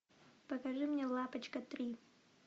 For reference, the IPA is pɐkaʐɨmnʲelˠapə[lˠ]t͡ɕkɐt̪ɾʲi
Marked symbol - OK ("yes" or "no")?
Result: no